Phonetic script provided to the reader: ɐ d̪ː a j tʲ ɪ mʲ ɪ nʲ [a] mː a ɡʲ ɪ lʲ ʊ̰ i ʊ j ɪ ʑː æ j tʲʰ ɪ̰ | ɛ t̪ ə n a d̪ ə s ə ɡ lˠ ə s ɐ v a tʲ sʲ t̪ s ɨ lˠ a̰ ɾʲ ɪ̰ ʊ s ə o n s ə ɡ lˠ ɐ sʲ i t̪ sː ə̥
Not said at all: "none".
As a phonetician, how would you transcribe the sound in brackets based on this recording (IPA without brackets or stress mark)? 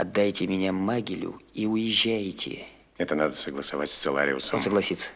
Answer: a